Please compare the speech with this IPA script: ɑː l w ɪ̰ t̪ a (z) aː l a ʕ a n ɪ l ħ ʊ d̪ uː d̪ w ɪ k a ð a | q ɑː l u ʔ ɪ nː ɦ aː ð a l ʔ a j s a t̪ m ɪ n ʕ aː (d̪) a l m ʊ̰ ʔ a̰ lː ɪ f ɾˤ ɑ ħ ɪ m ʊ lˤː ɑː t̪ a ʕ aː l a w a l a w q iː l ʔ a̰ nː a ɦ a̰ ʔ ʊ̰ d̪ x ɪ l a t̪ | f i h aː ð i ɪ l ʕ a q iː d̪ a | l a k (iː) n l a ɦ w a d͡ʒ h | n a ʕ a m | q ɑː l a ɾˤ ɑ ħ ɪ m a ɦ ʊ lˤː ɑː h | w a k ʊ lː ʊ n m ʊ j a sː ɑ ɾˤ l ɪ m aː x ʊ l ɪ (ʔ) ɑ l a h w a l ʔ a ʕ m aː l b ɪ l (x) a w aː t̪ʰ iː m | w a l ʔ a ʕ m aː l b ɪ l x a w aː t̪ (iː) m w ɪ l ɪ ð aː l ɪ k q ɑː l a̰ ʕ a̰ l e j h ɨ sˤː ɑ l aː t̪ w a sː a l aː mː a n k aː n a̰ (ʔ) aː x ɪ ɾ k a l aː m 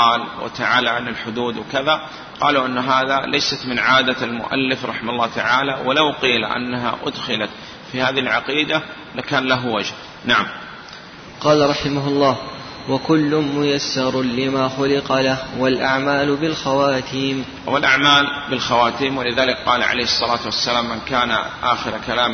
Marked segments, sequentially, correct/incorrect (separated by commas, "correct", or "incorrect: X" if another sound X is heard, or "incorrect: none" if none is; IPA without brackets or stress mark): incorrect: ʕ, correct, incorrect: aː, incorrect: q, correct, correct, correct